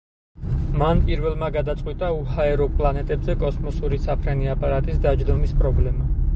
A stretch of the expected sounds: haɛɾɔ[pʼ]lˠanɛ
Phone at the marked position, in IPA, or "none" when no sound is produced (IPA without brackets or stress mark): pʼ